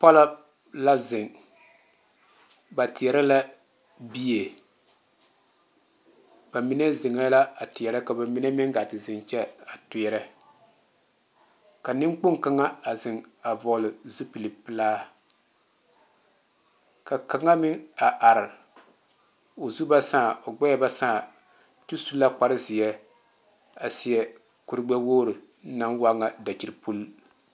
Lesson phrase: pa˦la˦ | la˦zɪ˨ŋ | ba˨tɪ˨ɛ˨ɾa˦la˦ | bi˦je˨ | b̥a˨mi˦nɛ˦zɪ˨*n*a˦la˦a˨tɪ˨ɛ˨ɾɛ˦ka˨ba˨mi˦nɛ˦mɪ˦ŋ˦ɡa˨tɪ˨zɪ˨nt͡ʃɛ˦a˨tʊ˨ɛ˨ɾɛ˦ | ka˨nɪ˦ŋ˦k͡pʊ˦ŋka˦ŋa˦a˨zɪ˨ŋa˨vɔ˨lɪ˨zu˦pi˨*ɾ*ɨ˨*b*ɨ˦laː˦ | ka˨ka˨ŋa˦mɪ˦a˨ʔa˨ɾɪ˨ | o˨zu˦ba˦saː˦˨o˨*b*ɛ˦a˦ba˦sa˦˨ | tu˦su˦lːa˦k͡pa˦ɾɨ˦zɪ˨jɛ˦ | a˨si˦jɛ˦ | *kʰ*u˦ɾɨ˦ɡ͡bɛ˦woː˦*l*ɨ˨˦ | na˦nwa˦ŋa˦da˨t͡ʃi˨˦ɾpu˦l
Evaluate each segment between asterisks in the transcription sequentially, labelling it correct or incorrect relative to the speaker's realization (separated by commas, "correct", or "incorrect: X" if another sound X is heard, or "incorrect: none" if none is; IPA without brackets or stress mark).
incorrect: ŋ, incorrect: l, incorrect: p, incorrect: ɡ͡b, incorrect: k, incorrect: ɾ